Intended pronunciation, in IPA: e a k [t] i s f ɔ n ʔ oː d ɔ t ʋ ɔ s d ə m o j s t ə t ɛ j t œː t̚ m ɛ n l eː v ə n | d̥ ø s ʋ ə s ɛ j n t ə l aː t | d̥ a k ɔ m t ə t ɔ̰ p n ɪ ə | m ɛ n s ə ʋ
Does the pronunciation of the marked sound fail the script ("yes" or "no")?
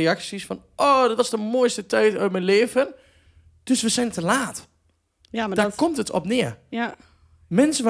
yes